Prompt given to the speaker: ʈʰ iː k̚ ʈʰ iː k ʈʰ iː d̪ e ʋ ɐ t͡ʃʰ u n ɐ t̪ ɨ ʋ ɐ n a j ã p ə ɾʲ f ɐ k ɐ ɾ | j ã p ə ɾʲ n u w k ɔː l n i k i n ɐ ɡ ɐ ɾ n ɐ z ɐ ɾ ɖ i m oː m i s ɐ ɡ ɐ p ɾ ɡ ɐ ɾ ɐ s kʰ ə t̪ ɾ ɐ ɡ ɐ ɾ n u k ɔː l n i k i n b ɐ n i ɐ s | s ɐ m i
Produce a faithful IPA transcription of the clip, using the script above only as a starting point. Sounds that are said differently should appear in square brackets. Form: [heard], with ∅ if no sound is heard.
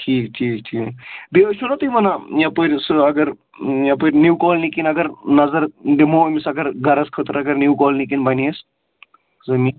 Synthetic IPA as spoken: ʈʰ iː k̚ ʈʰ iː k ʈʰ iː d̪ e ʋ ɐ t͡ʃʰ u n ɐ t̪ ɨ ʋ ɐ n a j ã p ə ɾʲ [s] ɐ [ɡ] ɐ ɾ | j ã p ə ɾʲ n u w k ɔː l n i k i n ɐ ɡ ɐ ɾ n ɐ z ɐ ɾ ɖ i m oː m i s ɐ ɡ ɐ [∅] ɾ ɡ ɐ ɾ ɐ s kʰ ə t̪ ɾ ɐ ɡ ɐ ɾ n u k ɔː l n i k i n b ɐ n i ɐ s | [z] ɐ m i